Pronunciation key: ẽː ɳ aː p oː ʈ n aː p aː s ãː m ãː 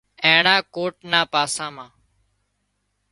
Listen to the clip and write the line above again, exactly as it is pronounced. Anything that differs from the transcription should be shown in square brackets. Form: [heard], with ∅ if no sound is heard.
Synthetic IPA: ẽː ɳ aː [k] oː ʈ n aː p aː s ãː m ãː